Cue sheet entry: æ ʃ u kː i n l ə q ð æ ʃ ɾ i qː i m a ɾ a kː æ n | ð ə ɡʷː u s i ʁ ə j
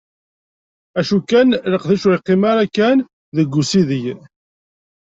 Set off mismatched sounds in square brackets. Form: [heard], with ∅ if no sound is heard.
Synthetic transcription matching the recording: æ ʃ u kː [æ] n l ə q ð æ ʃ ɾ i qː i m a ɾ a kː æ n | ð ə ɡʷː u s i [ð] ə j